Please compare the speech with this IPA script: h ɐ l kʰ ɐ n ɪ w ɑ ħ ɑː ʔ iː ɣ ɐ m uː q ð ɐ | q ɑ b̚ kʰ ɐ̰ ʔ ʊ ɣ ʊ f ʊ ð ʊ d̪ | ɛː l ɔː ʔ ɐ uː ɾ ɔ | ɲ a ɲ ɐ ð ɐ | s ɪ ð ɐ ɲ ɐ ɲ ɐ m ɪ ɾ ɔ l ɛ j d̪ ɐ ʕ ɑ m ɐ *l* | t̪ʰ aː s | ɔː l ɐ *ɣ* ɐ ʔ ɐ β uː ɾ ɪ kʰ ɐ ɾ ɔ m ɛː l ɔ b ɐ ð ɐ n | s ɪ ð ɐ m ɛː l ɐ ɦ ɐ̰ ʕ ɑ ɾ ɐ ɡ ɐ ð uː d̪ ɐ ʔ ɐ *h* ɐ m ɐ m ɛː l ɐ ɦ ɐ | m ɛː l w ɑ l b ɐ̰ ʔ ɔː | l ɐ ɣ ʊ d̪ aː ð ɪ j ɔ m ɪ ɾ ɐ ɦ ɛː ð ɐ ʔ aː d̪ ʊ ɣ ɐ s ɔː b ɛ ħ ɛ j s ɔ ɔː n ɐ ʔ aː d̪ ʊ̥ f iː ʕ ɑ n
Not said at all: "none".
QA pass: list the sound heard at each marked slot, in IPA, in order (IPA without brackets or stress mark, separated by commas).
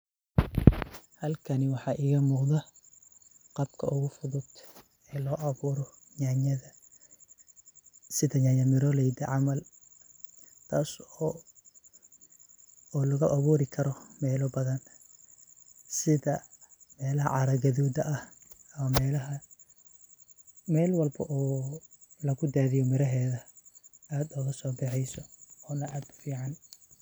l, ɣ, h